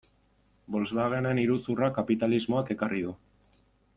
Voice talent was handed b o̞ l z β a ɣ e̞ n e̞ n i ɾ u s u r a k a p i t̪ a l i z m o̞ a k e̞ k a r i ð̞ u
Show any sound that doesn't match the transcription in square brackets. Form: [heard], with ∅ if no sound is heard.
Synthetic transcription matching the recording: b o̞ l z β a ɣ e̞ n e̞ n i ɾ u s u r a k a p i t̪ a l i z m o̞ a k e̞ k a r i ð̞ u